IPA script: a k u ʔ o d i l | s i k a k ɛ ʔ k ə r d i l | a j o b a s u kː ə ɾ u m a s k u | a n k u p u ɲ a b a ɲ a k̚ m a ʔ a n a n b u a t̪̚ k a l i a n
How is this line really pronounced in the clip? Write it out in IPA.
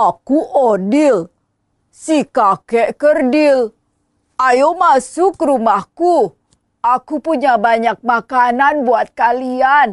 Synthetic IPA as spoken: a k u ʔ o d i l | s i k a k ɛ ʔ k ə r d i l | a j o m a s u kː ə ɾ u m a h k u | a k u p u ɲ a b a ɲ a k̚ m a k a n a n b u a t̪̚ k a l i a n